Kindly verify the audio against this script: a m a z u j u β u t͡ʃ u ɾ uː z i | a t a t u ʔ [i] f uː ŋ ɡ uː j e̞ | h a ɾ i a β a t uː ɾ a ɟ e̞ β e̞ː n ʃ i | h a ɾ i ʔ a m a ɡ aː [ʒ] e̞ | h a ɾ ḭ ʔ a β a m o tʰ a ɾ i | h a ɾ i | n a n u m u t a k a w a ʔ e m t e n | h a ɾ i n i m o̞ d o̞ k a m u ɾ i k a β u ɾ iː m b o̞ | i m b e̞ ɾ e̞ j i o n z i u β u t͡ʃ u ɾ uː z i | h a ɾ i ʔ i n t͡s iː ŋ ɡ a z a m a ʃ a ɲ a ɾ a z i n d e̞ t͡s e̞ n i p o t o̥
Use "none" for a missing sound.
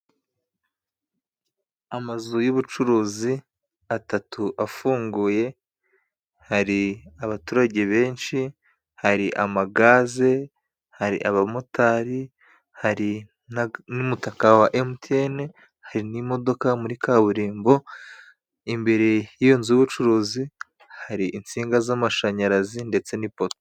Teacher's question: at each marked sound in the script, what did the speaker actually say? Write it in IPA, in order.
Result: a, z

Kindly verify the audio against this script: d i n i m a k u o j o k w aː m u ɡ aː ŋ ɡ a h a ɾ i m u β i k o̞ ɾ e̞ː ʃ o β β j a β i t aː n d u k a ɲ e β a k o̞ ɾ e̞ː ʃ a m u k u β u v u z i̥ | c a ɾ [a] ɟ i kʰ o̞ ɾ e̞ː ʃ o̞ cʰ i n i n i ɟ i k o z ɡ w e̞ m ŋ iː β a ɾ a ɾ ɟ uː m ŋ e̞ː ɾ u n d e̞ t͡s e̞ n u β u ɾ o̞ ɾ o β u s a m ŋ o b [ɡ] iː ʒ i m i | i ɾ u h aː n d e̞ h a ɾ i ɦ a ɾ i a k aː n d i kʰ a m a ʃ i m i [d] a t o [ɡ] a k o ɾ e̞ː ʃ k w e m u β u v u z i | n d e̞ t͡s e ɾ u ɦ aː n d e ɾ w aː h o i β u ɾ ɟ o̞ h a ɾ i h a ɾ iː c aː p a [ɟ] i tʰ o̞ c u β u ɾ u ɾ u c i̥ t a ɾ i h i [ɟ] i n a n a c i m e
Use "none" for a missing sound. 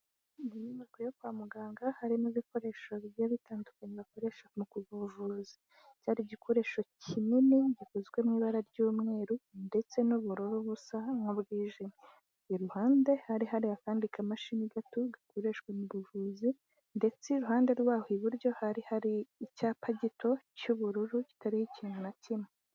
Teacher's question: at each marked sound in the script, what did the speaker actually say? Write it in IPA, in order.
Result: i, ɡ, ɡ, ɡ, ɟ, c

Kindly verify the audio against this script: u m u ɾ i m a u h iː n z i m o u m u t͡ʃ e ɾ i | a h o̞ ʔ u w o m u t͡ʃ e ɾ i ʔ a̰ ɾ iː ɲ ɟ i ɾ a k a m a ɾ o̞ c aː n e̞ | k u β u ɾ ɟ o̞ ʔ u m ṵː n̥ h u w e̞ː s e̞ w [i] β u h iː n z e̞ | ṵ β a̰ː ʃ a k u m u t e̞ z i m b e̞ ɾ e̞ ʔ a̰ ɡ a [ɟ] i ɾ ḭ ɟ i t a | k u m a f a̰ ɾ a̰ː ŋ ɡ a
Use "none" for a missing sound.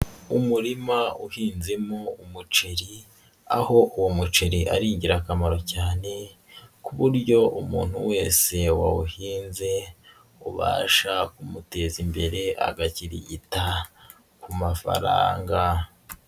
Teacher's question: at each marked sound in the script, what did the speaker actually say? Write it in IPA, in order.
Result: a, c

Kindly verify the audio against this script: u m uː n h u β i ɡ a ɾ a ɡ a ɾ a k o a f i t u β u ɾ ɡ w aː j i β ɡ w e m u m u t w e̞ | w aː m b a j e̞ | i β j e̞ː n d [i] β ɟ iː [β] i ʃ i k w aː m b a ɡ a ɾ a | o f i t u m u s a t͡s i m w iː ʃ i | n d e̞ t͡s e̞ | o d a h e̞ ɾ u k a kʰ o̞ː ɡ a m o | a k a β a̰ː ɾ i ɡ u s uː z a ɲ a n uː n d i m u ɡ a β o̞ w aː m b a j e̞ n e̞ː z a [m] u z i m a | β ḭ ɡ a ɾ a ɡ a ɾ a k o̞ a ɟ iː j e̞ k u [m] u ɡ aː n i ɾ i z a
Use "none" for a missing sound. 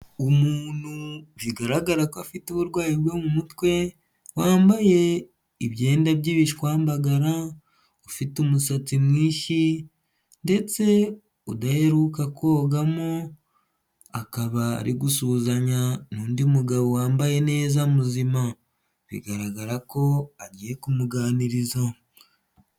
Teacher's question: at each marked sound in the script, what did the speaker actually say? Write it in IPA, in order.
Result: a, β, m, m

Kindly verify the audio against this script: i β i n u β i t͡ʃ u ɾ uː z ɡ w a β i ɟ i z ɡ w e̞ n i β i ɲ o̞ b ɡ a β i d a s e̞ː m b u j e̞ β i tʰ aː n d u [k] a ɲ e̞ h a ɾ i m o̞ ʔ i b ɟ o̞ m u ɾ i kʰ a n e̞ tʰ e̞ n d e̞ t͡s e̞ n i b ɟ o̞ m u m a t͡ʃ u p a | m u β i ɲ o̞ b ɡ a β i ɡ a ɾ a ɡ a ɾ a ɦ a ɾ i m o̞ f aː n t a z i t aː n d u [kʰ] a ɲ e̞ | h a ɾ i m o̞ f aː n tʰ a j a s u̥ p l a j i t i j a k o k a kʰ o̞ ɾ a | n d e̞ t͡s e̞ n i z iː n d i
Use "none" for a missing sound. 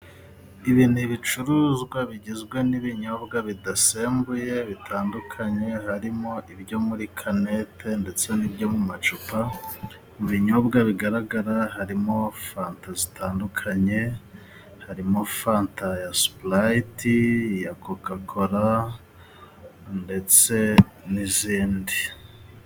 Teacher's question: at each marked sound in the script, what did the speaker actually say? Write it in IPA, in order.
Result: kʰ, kʰ

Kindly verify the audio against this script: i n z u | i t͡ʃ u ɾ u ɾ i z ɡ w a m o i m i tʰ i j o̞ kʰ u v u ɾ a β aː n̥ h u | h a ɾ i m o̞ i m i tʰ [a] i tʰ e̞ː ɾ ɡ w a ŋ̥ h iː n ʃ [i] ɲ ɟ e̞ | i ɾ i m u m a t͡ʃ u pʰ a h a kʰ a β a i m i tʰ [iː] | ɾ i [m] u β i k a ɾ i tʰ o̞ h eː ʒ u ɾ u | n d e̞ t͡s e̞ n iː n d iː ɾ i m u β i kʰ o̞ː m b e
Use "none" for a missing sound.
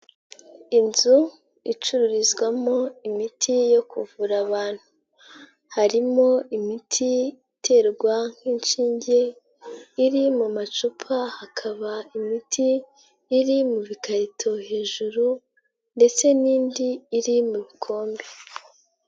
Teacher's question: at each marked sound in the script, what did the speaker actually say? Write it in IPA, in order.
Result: i, iː, iː, m

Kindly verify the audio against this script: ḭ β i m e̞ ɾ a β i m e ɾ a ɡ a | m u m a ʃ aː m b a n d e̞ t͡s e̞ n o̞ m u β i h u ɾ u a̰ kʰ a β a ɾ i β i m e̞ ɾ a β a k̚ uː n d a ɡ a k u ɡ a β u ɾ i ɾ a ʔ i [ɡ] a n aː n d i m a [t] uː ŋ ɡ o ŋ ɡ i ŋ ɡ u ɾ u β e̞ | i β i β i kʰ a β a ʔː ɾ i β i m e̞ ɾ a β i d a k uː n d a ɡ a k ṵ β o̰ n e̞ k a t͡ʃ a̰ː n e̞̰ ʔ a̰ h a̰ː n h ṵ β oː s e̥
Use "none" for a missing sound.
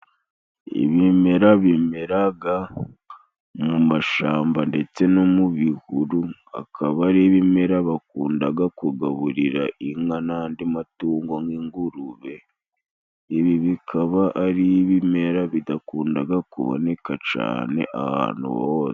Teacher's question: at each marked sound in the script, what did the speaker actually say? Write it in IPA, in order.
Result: ŋ, t

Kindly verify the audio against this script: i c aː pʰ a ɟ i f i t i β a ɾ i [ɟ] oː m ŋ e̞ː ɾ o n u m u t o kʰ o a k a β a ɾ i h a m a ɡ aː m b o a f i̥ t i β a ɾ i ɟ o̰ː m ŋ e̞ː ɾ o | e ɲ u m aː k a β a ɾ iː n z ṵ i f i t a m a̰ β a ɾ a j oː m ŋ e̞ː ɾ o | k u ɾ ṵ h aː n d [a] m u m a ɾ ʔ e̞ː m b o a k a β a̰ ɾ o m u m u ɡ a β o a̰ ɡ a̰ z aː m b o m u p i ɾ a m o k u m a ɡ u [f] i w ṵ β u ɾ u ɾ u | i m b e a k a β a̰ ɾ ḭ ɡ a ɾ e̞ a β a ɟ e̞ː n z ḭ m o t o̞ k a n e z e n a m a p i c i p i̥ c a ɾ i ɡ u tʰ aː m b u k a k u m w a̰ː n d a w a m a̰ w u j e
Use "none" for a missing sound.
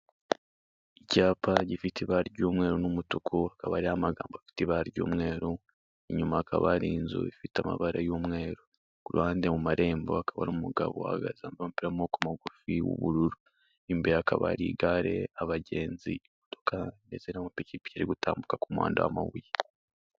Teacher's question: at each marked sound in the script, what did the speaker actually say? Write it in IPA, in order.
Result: ɟ, e, f

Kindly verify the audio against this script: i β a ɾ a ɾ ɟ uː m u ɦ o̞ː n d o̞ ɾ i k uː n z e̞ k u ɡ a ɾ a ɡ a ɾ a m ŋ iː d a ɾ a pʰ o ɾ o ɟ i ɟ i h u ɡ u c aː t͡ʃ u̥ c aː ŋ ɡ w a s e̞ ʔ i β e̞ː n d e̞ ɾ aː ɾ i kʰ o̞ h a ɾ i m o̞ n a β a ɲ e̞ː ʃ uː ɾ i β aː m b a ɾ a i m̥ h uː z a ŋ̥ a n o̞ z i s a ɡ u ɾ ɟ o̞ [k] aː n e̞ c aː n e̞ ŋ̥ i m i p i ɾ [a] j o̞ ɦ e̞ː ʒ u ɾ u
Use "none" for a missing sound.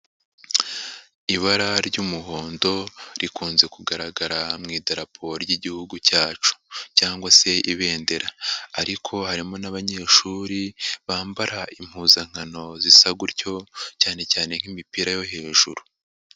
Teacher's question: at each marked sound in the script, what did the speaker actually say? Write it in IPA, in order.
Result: c, a

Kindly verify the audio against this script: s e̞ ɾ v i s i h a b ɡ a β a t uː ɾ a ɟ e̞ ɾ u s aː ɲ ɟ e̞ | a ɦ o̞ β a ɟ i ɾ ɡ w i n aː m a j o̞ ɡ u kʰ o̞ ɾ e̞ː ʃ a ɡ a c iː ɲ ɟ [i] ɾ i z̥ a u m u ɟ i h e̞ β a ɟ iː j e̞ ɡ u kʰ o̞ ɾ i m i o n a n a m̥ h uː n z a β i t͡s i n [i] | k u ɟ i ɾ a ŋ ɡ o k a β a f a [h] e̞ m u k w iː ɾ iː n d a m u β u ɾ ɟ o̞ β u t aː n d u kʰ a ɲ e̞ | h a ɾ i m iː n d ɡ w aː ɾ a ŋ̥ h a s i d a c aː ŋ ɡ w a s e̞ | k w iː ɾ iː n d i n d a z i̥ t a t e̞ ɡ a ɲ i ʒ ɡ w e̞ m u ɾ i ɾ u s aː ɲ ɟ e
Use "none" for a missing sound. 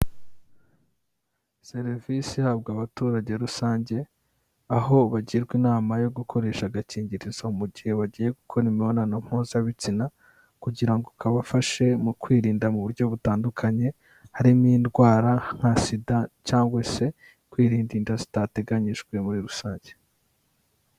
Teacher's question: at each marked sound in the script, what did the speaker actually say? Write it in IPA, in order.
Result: i, a, ʃ

